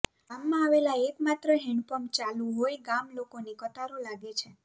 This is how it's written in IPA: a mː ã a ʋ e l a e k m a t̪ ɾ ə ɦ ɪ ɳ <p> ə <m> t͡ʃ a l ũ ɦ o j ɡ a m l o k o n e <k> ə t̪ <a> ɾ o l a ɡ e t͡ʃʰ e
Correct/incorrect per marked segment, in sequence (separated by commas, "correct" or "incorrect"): correct, correct, correct, correct